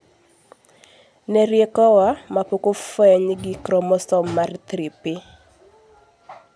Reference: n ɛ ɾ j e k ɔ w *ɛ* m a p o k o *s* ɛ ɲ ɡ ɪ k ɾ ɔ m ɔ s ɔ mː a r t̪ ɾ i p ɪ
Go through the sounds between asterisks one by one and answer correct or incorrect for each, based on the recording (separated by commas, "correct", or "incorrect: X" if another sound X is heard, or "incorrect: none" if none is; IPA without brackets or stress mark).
incorrect: a, incorrect: f